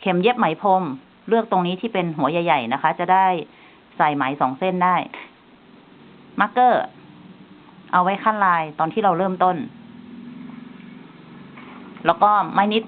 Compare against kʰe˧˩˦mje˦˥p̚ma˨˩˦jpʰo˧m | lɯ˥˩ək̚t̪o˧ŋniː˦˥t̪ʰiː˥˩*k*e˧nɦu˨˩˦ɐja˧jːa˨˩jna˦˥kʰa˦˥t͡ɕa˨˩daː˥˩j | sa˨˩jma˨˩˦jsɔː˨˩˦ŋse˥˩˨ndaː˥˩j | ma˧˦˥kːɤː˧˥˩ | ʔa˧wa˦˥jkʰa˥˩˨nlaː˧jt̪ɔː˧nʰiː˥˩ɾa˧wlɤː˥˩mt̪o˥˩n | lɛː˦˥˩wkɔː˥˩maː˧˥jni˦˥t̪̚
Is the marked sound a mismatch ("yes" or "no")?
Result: yes